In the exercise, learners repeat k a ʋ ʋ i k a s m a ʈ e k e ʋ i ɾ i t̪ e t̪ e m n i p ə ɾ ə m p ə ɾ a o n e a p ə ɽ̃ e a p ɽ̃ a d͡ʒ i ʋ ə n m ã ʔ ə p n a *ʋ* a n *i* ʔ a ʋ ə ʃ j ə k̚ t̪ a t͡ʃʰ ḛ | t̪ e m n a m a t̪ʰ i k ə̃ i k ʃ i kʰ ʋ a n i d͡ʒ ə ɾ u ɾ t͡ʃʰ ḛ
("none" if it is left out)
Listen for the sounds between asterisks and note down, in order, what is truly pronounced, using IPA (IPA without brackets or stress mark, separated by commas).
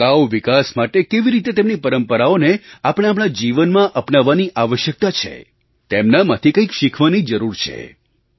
ʋː, i